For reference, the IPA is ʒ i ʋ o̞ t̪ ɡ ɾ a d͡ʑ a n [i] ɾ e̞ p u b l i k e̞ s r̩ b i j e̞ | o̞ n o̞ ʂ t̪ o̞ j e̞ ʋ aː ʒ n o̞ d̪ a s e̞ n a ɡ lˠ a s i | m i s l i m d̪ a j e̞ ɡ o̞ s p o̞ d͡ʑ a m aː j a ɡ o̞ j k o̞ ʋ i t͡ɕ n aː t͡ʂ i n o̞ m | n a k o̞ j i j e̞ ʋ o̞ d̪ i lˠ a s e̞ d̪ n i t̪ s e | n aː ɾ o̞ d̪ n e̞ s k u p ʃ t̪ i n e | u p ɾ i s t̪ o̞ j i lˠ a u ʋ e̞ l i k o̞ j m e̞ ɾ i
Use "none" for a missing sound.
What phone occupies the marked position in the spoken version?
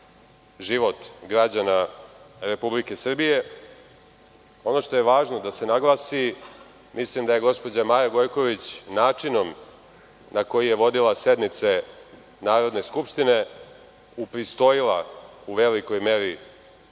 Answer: a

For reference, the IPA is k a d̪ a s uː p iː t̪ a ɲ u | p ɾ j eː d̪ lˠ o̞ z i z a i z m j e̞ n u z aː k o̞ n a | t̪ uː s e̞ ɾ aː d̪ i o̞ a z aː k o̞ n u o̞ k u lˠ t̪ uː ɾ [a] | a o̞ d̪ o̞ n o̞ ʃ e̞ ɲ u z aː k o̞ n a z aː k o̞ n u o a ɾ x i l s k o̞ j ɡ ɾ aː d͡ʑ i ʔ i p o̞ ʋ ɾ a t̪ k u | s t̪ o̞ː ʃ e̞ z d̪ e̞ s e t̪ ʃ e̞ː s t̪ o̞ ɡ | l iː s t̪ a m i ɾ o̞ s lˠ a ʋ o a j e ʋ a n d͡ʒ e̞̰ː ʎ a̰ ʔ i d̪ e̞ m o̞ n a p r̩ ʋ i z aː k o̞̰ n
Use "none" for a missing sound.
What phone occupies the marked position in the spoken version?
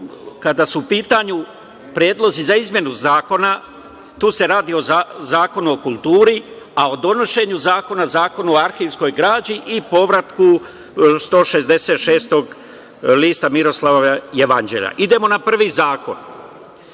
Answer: i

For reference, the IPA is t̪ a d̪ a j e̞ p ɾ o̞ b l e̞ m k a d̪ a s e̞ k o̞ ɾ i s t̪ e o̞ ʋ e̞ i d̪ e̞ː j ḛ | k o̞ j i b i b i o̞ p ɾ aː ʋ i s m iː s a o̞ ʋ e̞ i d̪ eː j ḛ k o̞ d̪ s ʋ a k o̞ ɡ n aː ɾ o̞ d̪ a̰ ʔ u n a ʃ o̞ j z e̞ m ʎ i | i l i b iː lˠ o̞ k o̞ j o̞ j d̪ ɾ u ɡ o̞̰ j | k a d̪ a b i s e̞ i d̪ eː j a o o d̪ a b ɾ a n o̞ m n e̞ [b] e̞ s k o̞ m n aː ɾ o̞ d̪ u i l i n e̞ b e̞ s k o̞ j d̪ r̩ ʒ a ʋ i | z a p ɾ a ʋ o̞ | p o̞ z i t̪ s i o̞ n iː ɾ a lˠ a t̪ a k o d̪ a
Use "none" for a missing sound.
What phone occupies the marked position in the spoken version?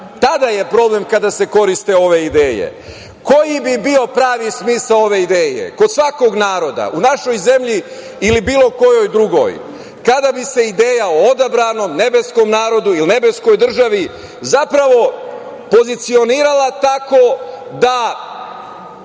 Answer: b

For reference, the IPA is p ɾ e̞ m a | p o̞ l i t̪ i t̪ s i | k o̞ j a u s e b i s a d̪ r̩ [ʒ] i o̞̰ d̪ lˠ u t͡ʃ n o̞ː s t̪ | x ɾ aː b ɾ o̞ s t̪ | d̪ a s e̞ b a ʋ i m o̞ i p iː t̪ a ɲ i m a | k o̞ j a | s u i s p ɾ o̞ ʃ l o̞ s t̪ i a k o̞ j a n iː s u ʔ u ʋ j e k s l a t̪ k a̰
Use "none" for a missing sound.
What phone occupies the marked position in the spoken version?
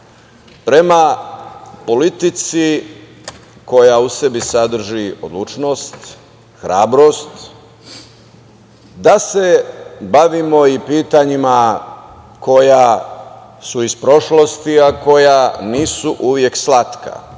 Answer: ʒ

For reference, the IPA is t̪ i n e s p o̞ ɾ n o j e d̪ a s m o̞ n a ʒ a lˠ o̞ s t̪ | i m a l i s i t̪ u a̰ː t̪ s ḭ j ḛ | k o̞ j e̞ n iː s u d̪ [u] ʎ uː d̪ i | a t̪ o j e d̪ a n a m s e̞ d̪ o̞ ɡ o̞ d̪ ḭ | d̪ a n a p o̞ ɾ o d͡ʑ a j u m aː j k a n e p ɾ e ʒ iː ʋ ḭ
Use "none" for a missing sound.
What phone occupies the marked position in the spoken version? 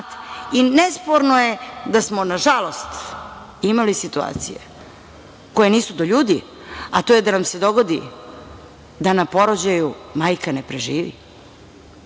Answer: o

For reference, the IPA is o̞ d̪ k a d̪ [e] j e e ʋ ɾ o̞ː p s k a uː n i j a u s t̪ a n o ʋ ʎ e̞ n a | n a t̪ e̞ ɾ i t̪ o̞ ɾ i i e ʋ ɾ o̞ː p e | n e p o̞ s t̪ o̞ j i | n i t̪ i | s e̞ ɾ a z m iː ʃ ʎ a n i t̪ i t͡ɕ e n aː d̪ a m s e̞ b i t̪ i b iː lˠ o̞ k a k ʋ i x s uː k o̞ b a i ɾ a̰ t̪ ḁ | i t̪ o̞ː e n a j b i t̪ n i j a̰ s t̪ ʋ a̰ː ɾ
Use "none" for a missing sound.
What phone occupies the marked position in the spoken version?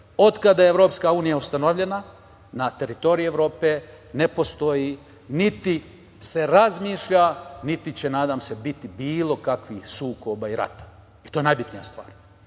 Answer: a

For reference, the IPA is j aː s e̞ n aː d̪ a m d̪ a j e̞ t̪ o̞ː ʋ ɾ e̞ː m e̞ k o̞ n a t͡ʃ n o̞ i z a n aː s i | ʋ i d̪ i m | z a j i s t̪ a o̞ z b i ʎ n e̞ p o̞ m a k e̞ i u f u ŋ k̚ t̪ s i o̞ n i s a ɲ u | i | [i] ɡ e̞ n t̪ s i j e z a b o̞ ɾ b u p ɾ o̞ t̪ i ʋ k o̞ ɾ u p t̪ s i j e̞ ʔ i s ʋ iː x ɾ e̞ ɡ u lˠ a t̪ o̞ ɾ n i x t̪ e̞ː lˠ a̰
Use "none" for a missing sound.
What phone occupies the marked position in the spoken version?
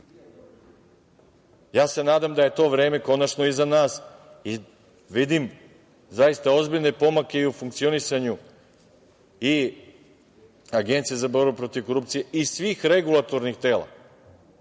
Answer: a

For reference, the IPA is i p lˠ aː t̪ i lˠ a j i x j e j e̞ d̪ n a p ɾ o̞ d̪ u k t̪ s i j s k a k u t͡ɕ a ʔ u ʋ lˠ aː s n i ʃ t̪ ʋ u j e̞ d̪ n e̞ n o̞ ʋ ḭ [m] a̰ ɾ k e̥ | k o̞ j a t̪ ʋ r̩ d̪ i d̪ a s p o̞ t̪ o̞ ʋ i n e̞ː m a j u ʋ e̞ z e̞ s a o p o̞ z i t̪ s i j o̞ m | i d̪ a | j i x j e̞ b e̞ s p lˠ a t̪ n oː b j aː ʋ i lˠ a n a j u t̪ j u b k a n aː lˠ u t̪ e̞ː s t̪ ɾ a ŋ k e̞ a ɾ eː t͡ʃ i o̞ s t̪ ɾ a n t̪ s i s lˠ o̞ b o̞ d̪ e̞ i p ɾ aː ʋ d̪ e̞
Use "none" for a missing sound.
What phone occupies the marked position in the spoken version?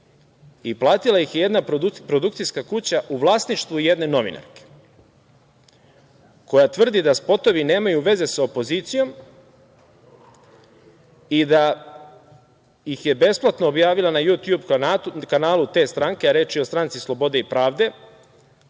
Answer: n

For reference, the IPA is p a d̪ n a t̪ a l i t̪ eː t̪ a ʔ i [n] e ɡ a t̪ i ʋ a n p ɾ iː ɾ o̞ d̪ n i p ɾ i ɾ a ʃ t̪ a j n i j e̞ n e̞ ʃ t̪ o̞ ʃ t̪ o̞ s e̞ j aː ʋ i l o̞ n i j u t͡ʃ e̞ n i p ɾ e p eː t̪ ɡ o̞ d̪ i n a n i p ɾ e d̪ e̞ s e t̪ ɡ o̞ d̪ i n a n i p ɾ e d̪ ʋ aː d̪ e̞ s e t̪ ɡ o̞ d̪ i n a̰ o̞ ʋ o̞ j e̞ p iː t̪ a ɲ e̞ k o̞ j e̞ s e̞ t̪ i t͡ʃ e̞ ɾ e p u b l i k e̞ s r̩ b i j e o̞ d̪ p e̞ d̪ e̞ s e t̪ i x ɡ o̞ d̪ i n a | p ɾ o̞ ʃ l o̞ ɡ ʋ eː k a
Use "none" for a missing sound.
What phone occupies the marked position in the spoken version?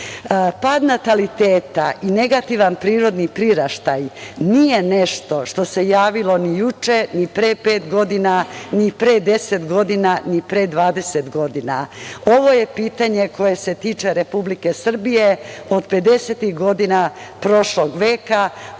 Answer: n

